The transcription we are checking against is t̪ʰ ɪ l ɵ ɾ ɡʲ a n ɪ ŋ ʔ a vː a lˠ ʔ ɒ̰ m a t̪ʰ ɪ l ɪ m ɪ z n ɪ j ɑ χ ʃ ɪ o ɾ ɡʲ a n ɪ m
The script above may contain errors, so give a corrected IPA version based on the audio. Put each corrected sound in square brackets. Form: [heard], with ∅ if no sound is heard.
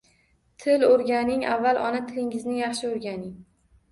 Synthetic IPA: t̪ʰ ɪ l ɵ ɾ ɡʲ a n ɪ ŋ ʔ a vː a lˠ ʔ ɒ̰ [n] a t̪ʰ ɪ l ɪ [ŋ] ɪ z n ɪ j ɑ χ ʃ ɪ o ɾ ɡʲ a n ɪ [ŋ]